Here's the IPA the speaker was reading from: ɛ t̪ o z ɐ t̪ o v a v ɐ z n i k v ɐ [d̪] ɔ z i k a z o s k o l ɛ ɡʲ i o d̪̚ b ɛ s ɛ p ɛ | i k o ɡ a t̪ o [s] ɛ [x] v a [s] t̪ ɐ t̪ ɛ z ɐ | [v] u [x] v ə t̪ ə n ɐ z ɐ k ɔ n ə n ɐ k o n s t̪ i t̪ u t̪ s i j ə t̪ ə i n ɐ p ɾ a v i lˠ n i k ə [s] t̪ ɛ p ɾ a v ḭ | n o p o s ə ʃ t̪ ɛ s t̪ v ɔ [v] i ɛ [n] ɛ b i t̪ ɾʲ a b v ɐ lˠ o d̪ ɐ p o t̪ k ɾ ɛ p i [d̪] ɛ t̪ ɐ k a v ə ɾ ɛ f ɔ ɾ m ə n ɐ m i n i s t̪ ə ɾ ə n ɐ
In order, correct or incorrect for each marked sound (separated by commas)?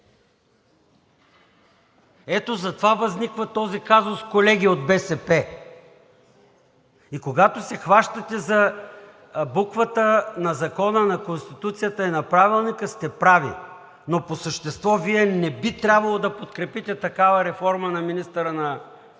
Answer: incorrect, correct, correct, incorrect, incorrect, incorrect, correct, correct, correct, incorrect